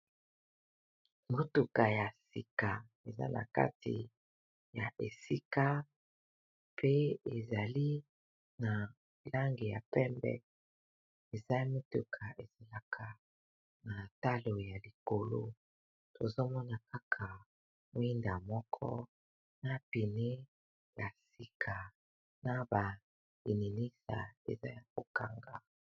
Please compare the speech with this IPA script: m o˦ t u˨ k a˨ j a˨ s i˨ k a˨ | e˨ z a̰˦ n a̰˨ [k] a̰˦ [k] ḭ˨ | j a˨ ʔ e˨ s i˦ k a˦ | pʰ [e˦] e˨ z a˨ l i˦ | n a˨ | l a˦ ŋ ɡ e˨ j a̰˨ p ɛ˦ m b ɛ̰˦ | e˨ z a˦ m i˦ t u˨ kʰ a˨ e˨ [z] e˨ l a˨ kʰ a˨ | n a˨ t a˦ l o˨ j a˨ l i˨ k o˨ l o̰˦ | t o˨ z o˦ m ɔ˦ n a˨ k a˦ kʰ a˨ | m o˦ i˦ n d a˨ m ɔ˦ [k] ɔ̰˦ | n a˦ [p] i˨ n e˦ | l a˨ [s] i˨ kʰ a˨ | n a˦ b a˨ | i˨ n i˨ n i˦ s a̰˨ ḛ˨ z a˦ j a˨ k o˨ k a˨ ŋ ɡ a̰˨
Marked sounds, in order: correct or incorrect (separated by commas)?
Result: correct, incorrect, correct, correct, incorrect, correct, correct